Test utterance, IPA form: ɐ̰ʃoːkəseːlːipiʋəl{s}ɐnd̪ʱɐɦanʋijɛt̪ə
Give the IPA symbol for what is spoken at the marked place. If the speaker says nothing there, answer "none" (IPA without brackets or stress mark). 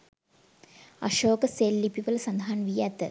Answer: s